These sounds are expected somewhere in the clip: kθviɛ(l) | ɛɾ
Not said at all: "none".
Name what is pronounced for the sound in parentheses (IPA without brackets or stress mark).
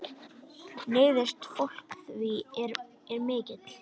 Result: ɾ